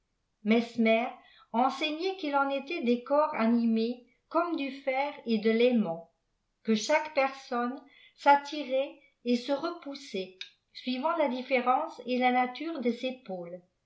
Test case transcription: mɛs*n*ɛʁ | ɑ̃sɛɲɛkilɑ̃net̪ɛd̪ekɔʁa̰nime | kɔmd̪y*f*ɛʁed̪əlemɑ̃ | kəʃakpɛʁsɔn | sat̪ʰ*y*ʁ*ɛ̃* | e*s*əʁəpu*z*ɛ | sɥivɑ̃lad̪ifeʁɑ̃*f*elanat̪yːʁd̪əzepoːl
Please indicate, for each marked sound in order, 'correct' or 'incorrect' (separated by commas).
incorrect, correct, incorrect, incorrect, correct, incorrect, incorrect